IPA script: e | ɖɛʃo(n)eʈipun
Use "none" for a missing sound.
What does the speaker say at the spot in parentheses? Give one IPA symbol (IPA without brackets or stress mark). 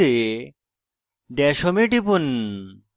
m